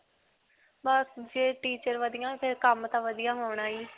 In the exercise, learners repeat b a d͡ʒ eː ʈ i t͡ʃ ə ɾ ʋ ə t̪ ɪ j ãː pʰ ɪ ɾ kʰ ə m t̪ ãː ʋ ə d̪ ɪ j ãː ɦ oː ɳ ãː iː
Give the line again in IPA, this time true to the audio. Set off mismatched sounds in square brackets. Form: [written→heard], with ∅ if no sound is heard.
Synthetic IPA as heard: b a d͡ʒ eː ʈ [i→iː] t͡ʃ ə ɾ ʋ ə [t̪→d̪] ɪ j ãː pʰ ɪ ɾ [kʰ→k] ə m t̪ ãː ʋ ə d̪ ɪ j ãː ɦ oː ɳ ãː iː

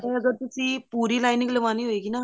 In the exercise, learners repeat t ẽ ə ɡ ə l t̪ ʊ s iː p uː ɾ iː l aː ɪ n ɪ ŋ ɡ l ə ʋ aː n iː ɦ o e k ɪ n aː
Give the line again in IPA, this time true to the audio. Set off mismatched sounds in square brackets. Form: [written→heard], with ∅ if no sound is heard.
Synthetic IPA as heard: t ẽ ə ɡ ə [l→ɾ] t̪ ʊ s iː p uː ɾ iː l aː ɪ n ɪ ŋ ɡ l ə ʋ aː n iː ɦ o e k [ɪ→i] n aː

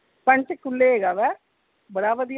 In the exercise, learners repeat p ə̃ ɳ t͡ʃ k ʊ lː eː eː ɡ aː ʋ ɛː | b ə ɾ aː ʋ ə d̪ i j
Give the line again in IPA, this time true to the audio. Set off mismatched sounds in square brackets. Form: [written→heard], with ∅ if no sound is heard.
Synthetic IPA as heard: p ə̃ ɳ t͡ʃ k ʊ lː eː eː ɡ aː ʋ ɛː | b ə [ɾ→ɽ] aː ʋ ə d̪ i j

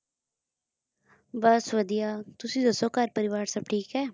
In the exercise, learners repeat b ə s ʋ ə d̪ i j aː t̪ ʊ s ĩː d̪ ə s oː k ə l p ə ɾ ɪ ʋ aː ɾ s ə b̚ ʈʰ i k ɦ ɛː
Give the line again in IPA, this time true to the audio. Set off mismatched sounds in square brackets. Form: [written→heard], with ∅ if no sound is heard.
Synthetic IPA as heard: b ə s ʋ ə d̪ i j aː t̪ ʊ s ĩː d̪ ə s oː k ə [l→ɾ] p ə ɾ ɪ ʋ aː ɾ s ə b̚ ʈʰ [i→iː] k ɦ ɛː

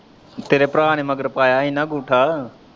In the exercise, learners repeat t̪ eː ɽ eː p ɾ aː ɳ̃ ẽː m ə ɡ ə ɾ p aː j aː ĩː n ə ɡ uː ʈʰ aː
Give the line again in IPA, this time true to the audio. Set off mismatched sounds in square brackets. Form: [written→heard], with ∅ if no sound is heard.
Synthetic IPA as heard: t̪ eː [ɽ→ɾ] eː p ɾ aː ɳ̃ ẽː m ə ɡ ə ɾ p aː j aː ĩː n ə ɡ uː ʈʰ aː

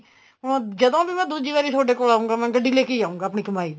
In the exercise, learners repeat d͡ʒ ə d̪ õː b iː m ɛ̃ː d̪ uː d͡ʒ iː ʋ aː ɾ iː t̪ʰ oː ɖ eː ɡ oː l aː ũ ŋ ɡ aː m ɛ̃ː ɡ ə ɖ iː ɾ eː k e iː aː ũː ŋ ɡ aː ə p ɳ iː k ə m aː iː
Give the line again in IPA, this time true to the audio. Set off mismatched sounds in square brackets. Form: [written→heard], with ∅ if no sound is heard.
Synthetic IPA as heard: d͡ʒ ə d̪ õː b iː m ɛ̃ː d̪ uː d͡ʒ iː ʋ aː ɾ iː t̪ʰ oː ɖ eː [ɡ→k] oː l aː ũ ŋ ɡ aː m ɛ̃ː ɡ ə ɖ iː [ɾ→l] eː k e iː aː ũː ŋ ɡ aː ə p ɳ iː k ə m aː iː

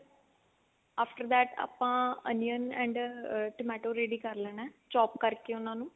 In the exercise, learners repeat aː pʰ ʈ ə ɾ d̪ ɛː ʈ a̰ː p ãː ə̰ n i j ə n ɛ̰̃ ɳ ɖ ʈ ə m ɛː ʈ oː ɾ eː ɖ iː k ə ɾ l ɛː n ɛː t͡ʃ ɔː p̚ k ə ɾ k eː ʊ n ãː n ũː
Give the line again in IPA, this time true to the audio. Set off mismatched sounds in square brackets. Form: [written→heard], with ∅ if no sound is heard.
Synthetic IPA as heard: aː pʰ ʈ ə ɾ d̪ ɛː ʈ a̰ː p ãː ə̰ n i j ə n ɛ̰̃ ɳ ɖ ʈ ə m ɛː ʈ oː ɾ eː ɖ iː k ə ɾ l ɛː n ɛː t͡ʃ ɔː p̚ k ə ɾ k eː ʊ n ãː n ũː

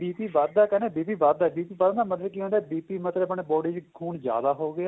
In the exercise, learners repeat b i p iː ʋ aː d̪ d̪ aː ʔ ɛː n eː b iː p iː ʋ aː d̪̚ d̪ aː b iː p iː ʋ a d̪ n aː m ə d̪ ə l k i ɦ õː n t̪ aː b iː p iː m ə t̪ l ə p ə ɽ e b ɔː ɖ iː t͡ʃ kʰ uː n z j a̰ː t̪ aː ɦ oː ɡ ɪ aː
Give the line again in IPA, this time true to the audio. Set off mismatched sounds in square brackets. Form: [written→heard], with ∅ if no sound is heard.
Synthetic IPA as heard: b [i→iː] p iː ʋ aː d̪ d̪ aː [ʔ→k] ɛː n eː b iː p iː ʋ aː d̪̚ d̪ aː b iː p iː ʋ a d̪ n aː m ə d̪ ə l k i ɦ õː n [t̪→d̪] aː b iː p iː m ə t̪ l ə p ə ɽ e b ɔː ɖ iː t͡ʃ kʰ uː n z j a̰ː [t̪→d̪] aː ɦ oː ɡ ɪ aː

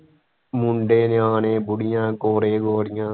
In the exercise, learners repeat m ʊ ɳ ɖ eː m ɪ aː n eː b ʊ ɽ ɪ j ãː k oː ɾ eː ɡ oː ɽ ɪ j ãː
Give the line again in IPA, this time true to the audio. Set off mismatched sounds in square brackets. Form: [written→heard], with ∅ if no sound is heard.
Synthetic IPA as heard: m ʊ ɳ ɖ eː [m→n] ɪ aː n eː b ʊ ɽ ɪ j ãː k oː ɾ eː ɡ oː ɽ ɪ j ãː

